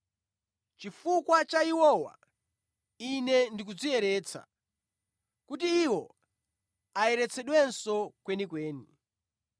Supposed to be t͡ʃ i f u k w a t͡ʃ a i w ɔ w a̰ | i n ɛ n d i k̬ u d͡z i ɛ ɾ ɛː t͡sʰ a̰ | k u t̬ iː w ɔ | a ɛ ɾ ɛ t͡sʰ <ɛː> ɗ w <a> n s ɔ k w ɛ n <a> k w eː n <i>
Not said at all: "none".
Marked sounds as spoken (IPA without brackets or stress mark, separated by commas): ɛ, ɛ, i, i